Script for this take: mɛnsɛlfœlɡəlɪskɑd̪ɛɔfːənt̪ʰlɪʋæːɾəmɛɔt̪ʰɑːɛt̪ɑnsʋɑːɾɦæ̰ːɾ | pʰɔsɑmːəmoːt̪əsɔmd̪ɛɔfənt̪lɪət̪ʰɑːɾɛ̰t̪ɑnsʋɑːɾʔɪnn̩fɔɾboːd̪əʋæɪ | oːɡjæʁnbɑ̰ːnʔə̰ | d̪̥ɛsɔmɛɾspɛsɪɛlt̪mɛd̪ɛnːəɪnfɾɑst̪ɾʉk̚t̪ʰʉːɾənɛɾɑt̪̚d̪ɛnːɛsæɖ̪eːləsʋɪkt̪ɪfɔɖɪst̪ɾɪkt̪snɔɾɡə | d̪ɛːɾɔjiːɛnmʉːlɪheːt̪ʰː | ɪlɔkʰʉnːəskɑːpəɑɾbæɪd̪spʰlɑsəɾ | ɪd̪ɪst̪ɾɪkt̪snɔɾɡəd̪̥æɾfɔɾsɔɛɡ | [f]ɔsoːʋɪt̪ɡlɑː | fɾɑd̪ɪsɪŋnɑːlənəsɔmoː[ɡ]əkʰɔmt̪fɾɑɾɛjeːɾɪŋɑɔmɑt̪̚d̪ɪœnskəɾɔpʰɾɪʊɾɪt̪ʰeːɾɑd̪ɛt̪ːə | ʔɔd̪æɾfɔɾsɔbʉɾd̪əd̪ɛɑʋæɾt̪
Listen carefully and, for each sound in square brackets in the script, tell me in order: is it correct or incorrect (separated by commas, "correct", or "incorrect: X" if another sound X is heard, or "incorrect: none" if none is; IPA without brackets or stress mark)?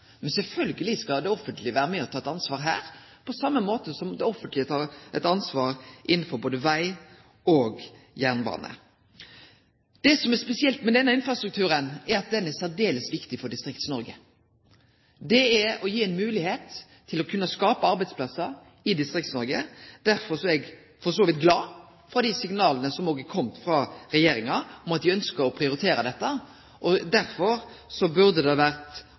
correct, correct